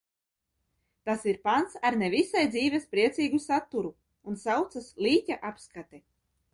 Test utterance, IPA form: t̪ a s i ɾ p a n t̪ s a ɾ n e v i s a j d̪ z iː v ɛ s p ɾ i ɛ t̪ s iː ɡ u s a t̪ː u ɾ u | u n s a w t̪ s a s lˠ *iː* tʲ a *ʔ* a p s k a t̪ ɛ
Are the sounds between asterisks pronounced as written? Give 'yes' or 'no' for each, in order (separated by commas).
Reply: yes, yes